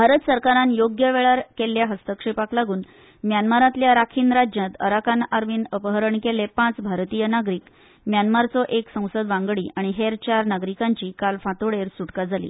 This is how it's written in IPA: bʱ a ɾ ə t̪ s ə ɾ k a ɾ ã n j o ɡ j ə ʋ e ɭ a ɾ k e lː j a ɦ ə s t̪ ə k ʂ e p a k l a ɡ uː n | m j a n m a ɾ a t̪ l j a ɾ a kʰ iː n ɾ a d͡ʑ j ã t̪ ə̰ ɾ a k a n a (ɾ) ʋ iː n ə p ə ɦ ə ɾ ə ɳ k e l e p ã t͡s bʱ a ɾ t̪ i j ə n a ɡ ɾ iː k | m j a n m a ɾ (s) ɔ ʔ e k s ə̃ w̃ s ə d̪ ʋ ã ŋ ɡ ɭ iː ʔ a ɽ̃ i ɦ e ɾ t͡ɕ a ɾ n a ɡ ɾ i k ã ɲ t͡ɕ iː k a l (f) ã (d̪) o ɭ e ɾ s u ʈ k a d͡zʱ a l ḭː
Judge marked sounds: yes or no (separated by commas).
yes, no, yes, no